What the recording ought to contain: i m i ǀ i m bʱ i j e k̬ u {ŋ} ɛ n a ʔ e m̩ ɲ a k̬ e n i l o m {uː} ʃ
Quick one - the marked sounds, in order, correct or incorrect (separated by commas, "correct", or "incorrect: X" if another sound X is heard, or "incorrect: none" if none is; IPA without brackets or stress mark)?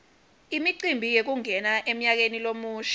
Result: correct, correct